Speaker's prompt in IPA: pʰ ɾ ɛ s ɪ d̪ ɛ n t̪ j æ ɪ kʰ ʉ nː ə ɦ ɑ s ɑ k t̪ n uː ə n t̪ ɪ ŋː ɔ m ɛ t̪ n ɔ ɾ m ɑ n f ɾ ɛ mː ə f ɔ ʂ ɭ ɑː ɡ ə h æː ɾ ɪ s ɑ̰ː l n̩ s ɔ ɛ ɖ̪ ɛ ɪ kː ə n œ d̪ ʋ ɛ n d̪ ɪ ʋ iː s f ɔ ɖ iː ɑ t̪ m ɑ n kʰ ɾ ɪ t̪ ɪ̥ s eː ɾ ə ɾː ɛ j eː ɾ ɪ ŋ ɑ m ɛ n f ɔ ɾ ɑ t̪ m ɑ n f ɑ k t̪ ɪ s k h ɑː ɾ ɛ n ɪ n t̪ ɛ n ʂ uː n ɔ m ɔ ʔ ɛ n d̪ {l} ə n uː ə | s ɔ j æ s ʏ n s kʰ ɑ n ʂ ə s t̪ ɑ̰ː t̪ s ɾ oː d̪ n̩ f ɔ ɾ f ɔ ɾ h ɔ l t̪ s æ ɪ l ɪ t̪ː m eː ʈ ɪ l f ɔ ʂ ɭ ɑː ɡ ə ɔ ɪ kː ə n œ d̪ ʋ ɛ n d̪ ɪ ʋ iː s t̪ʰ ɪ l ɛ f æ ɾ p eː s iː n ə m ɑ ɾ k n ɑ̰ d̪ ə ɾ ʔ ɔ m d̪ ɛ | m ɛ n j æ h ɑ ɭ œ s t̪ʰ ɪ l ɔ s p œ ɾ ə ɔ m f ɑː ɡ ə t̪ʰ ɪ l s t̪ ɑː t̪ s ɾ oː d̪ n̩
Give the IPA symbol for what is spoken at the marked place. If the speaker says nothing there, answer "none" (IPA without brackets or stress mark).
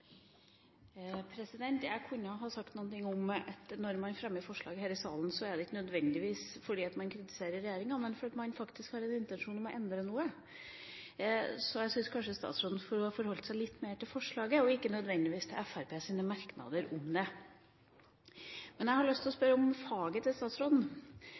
ɾ